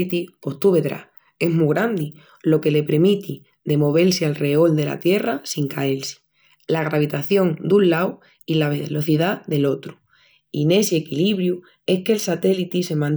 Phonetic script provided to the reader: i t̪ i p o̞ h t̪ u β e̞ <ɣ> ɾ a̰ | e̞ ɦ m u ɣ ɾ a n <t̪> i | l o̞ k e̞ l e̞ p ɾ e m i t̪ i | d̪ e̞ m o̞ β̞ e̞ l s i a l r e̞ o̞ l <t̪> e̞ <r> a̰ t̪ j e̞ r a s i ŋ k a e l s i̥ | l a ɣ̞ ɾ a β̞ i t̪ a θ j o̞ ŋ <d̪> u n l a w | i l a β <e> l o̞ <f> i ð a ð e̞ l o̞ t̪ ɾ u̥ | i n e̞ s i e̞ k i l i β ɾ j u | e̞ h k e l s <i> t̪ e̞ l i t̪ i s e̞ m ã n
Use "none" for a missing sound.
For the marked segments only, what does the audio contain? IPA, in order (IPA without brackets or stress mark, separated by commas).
ð, d̪, d̪, l, d̪, e, θ, a